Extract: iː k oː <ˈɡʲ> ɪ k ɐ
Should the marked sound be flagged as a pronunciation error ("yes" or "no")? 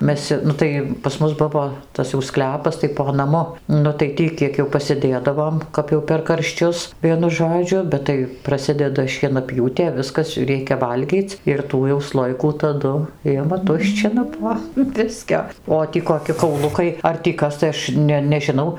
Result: yes